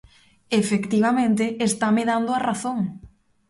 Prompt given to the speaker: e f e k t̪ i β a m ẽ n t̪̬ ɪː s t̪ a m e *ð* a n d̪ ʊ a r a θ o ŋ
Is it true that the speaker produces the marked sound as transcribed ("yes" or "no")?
yes